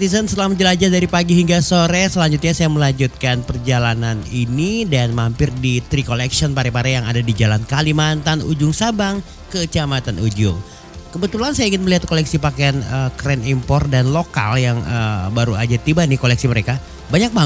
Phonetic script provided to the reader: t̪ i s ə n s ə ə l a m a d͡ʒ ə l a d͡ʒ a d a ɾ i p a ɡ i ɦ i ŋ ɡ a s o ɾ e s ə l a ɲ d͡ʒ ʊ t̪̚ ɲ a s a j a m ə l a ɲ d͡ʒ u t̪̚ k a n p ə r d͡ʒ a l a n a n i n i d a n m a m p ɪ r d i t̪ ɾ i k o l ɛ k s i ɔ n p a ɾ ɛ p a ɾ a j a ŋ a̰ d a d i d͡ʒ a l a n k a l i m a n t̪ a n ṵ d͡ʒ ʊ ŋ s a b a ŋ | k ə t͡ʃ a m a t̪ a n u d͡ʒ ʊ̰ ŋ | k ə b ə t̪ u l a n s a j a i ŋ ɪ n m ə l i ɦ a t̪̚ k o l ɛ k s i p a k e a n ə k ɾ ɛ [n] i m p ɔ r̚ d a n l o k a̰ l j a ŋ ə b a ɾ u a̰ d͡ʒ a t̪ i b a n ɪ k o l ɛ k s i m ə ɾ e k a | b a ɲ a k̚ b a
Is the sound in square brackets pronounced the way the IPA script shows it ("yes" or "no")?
yes